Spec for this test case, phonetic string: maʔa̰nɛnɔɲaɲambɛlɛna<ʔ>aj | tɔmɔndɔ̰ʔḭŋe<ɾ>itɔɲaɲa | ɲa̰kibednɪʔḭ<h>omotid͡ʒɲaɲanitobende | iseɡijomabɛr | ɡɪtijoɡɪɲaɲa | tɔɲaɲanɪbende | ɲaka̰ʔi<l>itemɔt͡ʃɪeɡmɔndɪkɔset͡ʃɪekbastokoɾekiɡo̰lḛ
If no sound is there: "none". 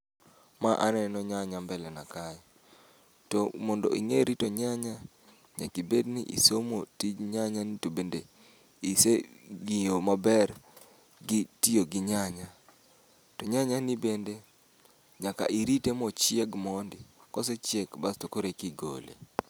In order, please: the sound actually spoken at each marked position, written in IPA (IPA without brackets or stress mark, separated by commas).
k, ɾ, s, ɾ